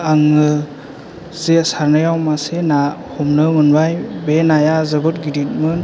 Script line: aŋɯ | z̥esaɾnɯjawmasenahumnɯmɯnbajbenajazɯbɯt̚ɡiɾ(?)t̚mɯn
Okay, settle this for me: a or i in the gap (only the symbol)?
i